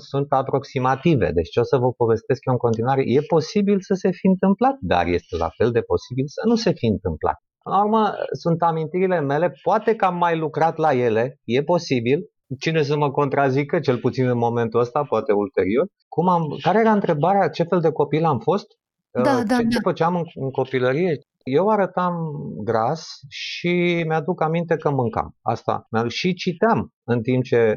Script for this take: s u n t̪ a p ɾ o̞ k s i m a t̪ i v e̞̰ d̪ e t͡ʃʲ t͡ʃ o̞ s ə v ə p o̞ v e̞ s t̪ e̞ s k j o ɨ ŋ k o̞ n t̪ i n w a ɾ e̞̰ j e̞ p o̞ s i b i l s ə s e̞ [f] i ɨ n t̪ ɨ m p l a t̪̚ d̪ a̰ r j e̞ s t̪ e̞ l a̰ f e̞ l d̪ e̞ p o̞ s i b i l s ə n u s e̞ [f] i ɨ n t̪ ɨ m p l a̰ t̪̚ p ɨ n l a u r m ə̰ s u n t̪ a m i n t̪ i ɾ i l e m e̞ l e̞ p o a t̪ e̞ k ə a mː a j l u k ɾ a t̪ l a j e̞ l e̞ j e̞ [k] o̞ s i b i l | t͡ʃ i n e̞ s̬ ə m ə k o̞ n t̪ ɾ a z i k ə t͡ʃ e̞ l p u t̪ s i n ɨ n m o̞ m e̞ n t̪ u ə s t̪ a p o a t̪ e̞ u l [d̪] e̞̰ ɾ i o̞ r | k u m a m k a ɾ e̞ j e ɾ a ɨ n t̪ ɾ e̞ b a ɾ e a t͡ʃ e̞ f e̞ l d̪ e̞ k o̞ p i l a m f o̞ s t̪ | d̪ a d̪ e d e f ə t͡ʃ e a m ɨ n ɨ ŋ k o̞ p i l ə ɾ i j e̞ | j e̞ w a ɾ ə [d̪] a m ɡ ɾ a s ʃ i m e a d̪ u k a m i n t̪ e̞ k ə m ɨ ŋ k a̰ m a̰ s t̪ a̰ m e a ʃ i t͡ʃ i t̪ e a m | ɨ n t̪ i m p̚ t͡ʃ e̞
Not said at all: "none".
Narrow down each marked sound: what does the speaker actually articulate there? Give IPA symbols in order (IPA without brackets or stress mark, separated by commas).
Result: f, f, p, t̪, t̪